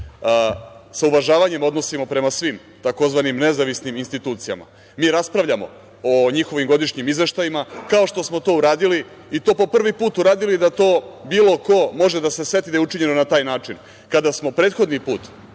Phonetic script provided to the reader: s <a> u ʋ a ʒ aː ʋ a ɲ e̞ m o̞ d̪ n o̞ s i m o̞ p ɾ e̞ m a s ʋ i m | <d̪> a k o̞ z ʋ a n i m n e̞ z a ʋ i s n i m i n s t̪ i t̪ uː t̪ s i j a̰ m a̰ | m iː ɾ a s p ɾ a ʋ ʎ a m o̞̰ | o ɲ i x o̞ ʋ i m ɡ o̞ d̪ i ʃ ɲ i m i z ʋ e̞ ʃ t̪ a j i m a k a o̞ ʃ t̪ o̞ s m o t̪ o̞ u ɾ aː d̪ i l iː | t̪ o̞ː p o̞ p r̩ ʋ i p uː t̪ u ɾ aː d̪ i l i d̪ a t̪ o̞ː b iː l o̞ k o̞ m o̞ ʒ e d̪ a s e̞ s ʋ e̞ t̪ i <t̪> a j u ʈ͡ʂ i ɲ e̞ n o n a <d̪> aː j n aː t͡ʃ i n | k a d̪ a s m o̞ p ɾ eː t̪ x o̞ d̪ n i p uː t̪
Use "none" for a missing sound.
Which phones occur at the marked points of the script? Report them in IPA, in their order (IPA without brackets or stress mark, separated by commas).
a, t̪, d̪, t̪